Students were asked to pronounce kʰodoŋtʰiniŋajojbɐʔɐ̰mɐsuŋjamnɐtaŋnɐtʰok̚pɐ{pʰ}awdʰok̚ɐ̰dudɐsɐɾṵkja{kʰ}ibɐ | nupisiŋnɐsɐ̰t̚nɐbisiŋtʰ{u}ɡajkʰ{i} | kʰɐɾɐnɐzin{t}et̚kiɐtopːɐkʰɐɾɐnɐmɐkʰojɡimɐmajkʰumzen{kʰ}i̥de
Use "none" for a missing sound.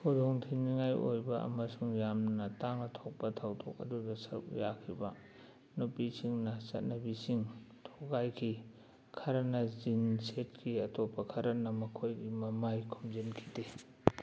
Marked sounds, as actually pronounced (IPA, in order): tʰ, kʰ, o, i, s, kʰ

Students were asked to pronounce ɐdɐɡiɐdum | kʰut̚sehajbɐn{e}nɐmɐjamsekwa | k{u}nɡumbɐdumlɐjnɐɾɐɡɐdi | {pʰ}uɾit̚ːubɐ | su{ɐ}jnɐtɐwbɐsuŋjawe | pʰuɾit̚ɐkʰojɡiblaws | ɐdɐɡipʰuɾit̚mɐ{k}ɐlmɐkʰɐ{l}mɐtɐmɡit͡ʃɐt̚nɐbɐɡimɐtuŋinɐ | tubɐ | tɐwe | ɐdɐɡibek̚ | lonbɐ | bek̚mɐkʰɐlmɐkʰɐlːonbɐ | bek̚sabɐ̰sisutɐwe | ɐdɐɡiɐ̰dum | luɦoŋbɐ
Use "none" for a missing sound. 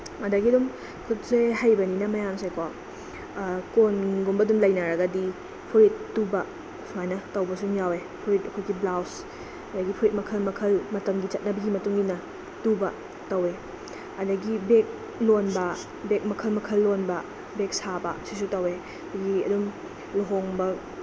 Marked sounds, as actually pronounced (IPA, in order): i, o, pʰ, a, kʰ, l

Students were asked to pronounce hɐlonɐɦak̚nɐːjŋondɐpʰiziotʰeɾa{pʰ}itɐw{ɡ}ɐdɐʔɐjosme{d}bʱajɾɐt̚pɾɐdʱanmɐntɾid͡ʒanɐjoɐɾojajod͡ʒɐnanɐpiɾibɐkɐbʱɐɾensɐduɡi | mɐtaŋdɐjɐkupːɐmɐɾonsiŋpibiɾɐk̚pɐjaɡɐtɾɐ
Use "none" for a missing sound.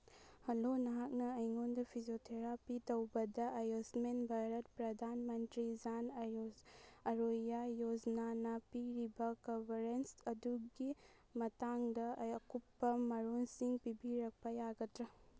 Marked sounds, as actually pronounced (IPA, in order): p, b, n

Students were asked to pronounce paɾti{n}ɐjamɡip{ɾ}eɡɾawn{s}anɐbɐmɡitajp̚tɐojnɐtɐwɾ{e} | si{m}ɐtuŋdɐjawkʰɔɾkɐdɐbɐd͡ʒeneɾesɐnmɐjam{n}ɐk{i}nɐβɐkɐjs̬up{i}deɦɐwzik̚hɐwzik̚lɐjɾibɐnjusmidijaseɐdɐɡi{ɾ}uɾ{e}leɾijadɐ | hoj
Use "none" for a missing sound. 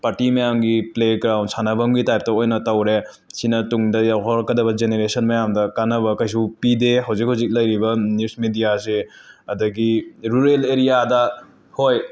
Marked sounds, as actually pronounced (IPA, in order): m, l, s, e, n, d, a, i, ɾ, e

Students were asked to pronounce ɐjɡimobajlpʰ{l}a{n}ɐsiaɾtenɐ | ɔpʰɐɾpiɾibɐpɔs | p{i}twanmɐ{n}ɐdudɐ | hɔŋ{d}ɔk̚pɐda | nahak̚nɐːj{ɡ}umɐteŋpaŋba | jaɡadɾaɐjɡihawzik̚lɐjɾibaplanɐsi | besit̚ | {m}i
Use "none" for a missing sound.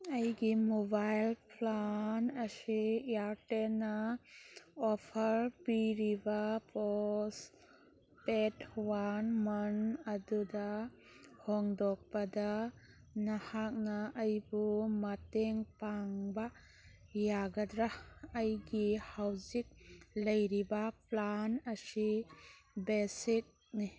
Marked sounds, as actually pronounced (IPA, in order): l, n, e, n, d, b, n

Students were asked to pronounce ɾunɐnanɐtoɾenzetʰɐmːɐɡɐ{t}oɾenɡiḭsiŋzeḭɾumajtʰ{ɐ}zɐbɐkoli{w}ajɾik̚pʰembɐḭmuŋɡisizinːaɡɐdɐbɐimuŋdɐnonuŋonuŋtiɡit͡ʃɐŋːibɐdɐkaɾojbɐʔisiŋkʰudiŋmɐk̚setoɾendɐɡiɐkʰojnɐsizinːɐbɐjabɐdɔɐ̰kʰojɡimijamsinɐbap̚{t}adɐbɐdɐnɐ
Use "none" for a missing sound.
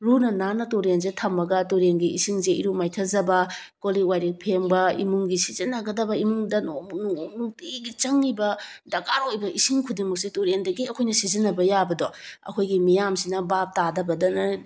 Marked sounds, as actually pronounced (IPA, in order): t, ɐ, w, t

